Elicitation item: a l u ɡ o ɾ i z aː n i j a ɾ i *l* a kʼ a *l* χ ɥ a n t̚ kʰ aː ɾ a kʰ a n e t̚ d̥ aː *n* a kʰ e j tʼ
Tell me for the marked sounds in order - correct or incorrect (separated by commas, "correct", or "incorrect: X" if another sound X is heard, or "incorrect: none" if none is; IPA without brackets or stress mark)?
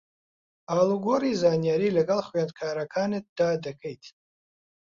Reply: correct, correct, incorrect: d